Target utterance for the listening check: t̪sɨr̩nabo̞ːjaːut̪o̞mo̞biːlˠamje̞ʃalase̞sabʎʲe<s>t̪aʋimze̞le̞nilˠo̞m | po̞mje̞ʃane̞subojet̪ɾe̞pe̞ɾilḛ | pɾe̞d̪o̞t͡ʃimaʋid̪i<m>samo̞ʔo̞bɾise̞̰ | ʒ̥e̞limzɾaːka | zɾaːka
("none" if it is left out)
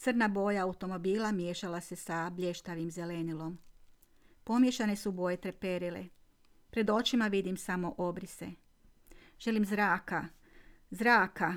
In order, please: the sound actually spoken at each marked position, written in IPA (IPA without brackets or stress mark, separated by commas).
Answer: ʃ, m